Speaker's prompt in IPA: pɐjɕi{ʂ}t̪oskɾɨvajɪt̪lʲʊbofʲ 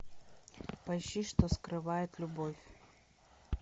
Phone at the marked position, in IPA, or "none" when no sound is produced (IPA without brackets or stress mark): ʂ